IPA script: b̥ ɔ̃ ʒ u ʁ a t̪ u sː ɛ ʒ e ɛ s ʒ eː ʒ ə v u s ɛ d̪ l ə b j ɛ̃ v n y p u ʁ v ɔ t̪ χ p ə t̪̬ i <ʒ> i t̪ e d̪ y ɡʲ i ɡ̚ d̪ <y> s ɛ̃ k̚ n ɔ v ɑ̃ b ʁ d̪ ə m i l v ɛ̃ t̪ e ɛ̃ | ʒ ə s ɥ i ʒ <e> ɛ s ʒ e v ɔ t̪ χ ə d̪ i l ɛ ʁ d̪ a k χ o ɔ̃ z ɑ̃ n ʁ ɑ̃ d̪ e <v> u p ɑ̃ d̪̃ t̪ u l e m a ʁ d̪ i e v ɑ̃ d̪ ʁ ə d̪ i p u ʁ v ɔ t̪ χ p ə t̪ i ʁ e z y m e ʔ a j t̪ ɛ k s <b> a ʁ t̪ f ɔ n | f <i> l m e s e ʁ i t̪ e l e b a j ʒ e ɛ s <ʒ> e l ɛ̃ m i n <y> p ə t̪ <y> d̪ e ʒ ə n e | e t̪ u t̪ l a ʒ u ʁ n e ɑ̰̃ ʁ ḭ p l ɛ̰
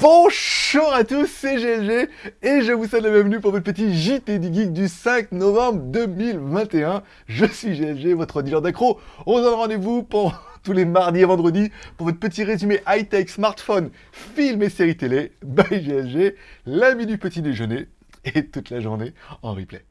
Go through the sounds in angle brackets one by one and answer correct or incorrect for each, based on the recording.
correct, correct, correct, correct, incorrect: m, correct, correct, correct, incorrect: i

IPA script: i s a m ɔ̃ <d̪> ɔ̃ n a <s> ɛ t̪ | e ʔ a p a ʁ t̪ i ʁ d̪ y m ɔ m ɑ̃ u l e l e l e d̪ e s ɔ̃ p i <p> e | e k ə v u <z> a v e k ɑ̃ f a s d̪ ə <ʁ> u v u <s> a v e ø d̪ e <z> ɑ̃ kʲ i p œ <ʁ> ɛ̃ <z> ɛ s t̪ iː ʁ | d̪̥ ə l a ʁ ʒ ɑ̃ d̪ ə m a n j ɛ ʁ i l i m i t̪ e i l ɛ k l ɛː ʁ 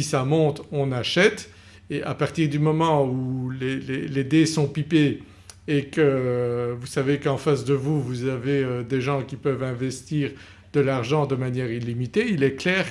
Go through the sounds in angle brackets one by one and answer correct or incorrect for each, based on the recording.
incorrect: t̪, incorrect: ʃ, correct, incorrect: s, incorrect: v, incorrect: z, incorrect: ʒ, incorrect: v, incorrect: v

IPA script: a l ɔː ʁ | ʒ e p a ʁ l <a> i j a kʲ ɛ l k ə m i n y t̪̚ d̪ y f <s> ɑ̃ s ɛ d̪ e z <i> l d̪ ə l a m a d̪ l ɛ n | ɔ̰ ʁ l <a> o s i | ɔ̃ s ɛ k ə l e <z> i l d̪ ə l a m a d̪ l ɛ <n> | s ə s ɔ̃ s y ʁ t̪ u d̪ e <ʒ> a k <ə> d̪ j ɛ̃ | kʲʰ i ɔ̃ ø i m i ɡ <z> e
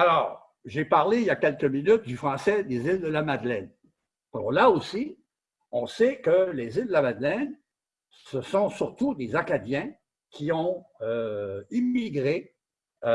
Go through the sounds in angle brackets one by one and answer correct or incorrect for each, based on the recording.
incorrect: e, incorrect: χ, correct, correct, correct, correct, incorrect: z, incorrect: a, incorrect: ʁ

